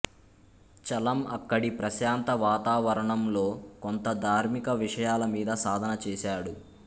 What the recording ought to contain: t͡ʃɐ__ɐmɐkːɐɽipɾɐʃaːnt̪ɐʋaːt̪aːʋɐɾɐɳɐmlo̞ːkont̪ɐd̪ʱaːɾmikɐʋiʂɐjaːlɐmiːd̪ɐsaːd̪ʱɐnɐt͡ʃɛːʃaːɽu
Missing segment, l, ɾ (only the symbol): l